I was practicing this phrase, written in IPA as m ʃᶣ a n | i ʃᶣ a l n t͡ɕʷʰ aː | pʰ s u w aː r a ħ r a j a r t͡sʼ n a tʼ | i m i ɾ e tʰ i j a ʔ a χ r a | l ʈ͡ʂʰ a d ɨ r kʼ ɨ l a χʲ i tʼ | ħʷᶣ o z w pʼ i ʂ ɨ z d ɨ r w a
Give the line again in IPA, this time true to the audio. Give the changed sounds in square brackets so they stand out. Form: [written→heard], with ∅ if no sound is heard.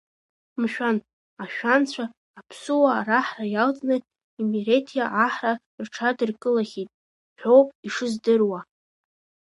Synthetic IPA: m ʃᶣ a n | [i→a] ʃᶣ a [l→∅] n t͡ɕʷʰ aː | pʰ s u w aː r a ħ r a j a [r→l] t͡sʼ n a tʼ | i m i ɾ e tʰ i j a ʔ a [χ→ħ] r a | [l→r] ʈ͡ʂʰ a d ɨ r kʼ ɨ l a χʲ i tʼ | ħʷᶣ o [z→∅] w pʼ i ʂ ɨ z d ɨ r w a